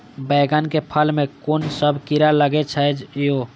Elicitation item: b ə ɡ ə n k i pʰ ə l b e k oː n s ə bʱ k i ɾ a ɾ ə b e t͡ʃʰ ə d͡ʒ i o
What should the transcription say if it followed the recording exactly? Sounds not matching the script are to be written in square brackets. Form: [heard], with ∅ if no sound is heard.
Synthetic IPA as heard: b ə ɡ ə n k [e] pʰ ə l [m] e k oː n s ə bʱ k i ɾ a [l] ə [ɡ] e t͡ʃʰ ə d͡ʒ [j] o